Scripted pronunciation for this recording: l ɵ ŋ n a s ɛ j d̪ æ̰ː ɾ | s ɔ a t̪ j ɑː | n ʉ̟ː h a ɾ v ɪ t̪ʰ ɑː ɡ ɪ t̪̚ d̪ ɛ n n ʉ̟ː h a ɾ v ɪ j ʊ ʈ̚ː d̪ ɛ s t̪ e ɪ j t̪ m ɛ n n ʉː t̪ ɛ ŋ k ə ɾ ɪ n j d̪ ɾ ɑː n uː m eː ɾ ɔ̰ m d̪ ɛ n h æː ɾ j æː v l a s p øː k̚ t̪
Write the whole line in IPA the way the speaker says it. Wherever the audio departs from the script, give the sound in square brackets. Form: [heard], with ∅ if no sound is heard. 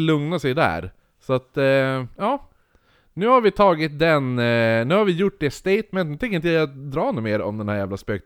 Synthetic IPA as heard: l ɵ ŋ n a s ɛ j d̪ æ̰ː ɾ | s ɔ a t̪ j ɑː | n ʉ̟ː h a ɾ v ɪ t̪ʰ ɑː ɡ ɪ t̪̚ d̪ ɛ n n ʉ̟ː h a ɾ v ɪ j ʊ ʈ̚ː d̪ ɛ s t̪ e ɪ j t̪ m ɛ n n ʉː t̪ ɛ ŋ k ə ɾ ɪ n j d̪ ɾ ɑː n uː m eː ɾ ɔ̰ m d̪ ɛ n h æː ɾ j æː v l a s p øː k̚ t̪